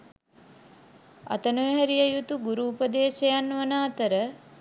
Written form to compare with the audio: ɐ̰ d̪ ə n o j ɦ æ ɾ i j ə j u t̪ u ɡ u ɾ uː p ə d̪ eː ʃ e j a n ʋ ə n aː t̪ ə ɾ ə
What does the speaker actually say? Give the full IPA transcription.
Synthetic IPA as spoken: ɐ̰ t̪ ə n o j ɦ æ ɾ i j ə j u t̪ u ɡ u ɾ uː p ə d̪ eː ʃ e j a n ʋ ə n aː t̪ ə ɾ ə